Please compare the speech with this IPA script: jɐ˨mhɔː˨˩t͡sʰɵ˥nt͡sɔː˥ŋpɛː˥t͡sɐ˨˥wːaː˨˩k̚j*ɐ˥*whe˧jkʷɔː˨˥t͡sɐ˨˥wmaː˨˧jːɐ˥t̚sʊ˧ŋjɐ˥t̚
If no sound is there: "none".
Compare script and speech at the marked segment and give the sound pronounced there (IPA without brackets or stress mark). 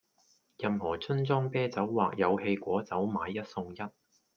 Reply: ɐ˨˧